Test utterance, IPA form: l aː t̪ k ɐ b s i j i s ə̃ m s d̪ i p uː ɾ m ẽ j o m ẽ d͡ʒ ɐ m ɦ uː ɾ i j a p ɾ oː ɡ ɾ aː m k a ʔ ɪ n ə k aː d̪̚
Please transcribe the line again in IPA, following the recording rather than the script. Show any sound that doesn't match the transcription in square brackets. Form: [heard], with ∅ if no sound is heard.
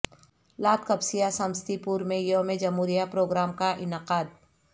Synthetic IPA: l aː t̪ k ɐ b s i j [a] s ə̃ m s [t̪] i p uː ɾ m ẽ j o m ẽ d͡ʒ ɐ m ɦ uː ɾ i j a p ɾ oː ɡ ɾ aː m k a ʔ ɪ n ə [q] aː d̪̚